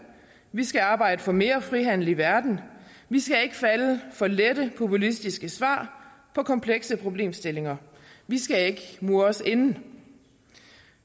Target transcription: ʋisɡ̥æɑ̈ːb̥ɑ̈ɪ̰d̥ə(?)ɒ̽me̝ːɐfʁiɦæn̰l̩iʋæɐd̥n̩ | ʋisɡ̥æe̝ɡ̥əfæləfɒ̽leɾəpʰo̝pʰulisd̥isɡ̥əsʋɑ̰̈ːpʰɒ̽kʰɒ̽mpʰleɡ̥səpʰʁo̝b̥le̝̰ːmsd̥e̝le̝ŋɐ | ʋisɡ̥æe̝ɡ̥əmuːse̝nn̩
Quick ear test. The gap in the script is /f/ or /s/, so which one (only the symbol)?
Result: f